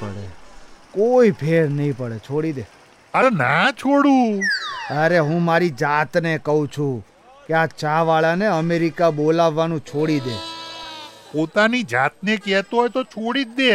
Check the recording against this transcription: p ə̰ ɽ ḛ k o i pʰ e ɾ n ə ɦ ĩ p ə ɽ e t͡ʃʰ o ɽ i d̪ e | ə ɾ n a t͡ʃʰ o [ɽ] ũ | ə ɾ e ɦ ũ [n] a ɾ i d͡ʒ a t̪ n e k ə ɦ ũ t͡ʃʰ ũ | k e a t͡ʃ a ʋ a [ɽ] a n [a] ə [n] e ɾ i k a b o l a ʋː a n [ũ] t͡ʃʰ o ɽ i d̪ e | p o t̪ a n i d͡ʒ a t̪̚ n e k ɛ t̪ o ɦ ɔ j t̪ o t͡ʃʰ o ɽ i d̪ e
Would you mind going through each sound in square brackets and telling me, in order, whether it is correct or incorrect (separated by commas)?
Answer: correct, incorrect, incorrect, incorrect, incorrect, correct